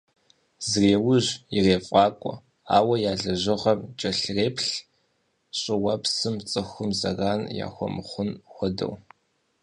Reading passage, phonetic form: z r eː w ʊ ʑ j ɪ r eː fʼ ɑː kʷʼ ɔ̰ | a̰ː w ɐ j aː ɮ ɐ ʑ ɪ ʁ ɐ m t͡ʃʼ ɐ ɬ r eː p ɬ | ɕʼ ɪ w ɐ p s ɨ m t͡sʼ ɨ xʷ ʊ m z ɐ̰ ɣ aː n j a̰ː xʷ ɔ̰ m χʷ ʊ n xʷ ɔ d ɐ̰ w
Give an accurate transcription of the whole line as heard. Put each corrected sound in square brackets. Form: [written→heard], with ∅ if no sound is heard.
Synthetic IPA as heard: z r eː w ʊ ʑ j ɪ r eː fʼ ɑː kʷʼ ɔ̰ | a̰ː w ɐ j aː ɮ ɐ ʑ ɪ ʁ ɐ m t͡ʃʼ ɐ ɬ r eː p ɬ | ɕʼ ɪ w ɐ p s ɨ m t͡sʼ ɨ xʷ ʊ m z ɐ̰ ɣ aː n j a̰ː xʷ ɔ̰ m χʷ ʊ n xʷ ɔ d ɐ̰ w